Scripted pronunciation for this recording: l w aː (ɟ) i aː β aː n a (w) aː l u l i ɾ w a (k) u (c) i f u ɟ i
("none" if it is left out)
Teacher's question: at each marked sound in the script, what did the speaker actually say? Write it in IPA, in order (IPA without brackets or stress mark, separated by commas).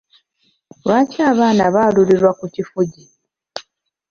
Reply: c, β, k, c